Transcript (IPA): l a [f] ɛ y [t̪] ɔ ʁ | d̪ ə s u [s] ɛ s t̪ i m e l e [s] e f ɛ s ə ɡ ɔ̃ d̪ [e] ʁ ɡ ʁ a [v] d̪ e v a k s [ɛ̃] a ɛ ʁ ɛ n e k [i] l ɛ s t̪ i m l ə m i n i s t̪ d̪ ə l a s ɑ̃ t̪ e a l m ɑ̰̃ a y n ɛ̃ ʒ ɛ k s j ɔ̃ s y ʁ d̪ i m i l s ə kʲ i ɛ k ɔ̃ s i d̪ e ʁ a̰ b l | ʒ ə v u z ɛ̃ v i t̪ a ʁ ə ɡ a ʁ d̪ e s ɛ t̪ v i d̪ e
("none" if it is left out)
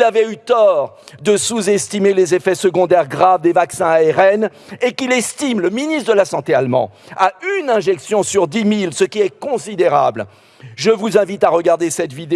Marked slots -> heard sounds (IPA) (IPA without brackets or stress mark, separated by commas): v, t̪, z, z, ɛ, v, ɛ̃, i